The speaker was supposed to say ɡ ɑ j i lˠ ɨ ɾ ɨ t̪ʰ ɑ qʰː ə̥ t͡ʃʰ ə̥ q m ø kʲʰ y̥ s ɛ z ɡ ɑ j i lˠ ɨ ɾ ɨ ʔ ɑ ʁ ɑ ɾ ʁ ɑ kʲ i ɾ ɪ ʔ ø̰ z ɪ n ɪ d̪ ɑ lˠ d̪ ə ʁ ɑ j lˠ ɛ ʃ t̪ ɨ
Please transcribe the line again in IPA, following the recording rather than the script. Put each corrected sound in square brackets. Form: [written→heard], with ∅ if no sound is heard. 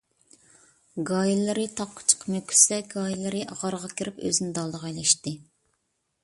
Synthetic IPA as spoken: ɡ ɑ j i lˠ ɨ ɾ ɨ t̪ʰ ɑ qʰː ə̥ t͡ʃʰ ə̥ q m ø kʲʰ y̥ s ɛ [z→∅] ɡ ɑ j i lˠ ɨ ɾ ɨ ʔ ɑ ʁ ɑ ɾ ʁ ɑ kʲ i ɾ ɪ [ʔ→p] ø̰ z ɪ n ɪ d̪ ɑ lˠ d̪ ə ʁ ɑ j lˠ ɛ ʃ t̪ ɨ